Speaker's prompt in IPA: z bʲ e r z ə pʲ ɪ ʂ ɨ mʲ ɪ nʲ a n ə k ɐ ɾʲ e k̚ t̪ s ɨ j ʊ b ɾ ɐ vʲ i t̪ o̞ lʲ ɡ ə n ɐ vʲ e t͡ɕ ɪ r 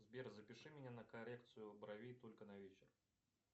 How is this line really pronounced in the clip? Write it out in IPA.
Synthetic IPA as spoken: z bʲ e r z ə pʲ ɪ ʂ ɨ mʲ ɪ nʲ a n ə k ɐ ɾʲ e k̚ t̪ s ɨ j ʊ b ɾ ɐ vʲ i t̪ o̞ lʲ k ə n ɐ vʲ e t͡ɕ ɪ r